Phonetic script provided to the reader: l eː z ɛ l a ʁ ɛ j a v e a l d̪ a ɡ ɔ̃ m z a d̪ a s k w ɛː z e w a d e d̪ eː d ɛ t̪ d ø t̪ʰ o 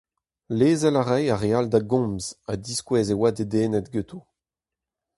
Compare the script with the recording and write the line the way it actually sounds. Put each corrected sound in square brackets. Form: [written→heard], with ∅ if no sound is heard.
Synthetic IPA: l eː z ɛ l a ʁ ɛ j a [v→ʁ] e a l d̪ a ɡ ɔ̃ m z a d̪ [a→i] s k w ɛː z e w a d e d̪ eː [d→n] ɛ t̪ [d→ɡ] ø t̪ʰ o

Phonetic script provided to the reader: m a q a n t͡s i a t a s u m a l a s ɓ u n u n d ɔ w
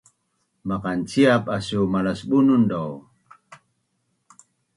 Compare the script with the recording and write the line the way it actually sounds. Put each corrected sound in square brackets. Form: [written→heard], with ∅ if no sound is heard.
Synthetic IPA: m a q a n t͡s i a [t→p] a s u m a l a s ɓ u n u n d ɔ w

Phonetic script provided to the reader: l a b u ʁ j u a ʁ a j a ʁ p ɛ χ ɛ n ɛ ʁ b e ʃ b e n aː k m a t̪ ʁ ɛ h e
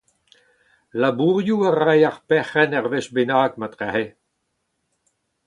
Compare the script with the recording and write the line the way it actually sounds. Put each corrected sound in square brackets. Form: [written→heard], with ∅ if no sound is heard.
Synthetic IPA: l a b u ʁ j u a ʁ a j a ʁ p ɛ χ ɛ n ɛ ʁ [b→v] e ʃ b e n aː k m a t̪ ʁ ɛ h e

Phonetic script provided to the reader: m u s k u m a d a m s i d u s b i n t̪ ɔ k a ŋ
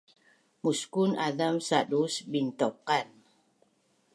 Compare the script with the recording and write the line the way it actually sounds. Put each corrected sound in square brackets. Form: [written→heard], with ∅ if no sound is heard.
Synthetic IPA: m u s k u [m→n] a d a m s [i→a] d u s b i n t̪ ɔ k a [ŋ→n]

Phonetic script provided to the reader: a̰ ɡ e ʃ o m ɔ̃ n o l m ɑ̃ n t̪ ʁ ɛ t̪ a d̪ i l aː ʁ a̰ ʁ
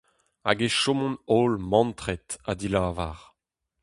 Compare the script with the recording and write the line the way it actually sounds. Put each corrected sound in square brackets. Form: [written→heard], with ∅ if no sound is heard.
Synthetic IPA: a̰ ɡ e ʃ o m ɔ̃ n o l m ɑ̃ n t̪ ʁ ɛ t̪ a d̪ i l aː [ʁ→v] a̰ ʁ

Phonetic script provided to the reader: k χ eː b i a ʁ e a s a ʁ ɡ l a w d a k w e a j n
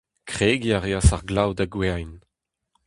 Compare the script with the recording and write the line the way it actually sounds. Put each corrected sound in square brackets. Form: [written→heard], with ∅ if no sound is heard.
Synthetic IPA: k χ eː [b→ɡ] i a ʁ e a s a ʁ ɡ l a w d a [k→ɡ] w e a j n

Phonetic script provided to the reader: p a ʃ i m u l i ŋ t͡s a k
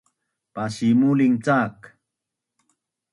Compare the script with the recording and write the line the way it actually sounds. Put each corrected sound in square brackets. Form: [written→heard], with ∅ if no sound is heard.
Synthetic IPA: p a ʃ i m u l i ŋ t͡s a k

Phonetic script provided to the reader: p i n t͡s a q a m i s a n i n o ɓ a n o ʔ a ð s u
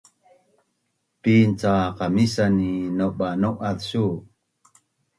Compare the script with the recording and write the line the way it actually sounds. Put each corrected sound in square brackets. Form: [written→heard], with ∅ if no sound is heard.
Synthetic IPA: p i n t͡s a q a m i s a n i n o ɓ a n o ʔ a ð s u

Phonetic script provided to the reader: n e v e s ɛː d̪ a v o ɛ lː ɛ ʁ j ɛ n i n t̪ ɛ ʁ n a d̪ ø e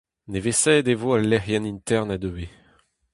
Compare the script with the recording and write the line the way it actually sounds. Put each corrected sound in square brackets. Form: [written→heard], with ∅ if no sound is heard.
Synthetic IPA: n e v e s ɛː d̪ [a→e] v o [ɛ→a] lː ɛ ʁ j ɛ n i n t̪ ɛ ʁ n a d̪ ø e

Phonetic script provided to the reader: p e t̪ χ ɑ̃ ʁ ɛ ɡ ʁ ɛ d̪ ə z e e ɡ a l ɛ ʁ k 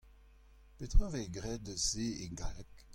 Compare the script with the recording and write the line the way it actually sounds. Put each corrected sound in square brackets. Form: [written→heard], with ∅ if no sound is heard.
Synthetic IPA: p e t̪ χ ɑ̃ [ʁ→v] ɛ ɡ ʁ ɛ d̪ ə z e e ɡ a l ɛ [ʁ→∅] k

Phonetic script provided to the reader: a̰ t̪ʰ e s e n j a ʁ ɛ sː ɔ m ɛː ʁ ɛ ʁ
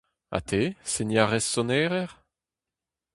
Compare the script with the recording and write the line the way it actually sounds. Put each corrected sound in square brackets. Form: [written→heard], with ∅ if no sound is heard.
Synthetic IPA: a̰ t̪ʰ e s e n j a ʁ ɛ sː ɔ [m→n] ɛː ʁ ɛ ʁ

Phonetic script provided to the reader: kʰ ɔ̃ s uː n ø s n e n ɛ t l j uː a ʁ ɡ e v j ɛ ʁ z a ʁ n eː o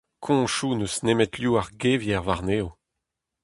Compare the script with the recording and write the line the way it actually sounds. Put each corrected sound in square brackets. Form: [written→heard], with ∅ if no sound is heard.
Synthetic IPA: kʰ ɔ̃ [s→ʃ] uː n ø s n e [n→m] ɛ t l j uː a ʁ ɡ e v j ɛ ʁ [z→v] a ʁ n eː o

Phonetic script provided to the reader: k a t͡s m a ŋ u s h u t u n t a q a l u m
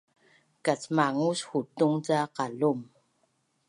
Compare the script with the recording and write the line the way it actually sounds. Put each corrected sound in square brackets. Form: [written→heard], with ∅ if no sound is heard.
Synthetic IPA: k a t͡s m a ŋ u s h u t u [n→ŋ] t a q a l u m

